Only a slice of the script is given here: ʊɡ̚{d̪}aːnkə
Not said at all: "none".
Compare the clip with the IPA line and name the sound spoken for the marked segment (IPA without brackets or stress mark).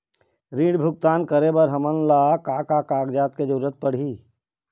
t̪